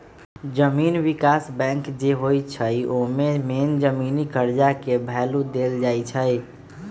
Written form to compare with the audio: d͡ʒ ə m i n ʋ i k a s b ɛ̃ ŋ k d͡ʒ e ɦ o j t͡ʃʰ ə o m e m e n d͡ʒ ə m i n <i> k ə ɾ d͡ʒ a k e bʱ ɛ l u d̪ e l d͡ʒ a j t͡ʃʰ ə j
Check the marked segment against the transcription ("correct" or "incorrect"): correct